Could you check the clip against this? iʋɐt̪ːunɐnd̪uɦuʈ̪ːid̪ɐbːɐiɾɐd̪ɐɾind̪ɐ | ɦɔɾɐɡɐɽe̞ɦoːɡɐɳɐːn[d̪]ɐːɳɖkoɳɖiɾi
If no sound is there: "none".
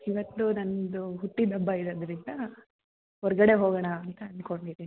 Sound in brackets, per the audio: t̪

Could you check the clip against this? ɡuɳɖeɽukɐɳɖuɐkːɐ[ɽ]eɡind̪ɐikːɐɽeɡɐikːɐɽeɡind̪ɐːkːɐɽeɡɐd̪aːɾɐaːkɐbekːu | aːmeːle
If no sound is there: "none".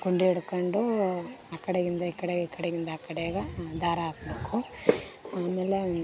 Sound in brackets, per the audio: ɽ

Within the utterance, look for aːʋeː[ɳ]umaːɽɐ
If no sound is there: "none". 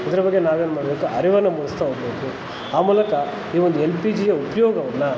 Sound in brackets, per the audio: n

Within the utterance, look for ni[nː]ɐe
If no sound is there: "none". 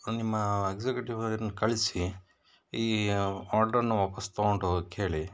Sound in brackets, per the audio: mː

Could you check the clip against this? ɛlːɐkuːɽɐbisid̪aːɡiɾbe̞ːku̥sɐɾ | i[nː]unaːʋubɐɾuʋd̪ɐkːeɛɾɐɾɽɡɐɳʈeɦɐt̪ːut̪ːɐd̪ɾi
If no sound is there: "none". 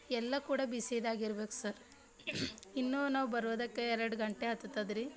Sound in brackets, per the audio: nː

